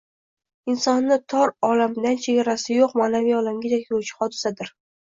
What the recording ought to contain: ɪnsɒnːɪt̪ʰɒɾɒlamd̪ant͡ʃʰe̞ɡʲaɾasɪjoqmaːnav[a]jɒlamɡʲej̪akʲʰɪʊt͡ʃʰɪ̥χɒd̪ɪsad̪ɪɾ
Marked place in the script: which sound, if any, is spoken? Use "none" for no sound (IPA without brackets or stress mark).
i